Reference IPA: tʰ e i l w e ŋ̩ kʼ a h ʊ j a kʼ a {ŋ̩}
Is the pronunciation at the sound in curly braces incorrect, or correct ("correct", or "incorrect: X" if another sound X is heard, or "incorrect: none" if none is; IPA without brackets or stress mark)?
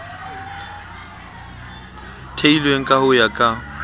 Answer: incorrect: none